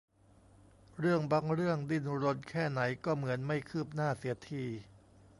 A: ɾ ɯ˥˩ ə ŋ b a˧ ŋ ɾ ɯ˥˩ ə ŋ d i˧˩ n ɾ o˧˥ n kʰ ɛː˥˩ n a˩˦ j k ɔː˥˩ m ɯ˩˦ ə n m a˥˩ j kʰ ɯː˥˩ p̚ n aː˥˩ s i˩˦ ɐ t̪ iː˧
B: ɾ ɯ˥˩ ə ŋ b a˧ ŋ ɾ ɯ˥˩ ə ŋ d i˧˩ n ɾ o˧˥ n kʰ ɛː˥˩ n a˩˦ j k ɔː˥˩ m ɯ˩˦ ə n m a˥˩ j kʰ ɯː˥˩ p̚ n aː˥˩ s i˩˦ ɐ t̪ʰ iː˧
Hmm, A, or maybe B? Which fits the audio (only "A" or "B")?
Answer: B